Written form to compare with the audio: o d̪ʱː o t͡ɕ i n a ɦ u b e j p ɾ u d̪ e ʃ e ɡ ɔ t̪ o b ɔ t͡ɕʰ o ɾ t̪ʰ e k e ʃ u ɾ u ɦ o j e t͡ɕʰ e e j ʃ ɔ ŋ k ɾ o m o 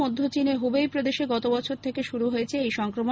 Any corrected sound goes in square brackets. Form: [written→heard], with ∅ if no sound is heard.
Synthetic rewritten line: o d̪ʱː o t͡ɕ i n [a→e] ɦ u b e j p ɾ [u→o] d̪ e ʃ e ɡ ɔ t̪ o b ɔ t͡ɕʰ o ɾ t̪ʰ e k e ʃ u ɾ u ɦ o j e t͡ɕʰ e e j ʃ ɔ ŋ k ɾ o m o